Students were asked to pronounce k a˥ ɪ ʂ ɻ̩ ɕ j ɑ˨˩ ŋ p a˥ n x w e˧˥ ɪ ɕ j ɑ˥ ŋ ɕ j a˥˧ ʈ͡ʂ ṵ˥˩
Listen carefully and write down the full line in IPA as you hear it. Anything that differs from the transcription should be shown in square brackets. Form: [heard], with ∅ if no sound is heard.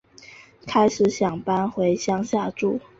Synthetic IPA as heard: [kʰ] a˥ ɪ ʂ ɻ̩ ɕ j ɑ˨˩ ŋ p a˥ n x w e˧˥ ɪ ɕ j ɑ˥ ŋ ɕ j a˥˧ ʈ͡ʂ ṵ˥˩